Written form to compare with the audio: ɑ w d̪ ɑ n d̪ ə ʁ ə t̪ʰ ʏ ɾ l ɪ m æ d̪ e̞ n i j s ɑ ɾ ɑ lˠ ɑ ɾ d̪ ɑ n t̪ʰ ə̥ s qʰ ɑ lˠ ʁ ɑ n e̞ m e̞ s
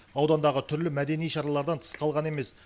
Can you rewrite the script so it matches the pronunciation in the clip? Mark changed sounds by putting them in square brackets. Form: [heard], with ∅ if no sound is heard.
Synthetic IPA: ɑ w d̪ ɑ n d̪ [ɑ] ʁ ə t̪ʰ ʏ ɾ l ɪ m æ d̪ e̞ n i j [ʃ] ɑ ɾ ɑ lˠ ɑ ɾ d̪ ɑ n t̪ʰ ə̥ s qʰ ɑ lˠ ʁ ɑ n e̞ m e̞ s